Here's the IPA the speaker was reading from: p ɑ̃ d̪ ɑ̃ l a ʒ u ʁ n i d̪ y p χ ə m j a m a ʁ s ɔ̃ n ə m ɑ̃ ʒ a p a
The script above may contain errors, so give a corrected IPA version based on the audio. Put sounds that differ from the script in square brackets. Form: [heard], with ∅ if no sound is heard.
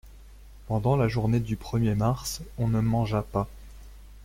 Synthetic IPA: p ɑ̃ d̪ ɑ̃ l a ʒ u ʁ n [e] d̪ y p χ ə m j [e] m a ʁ s ɔ̃ n ə m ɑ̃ ʒ a p a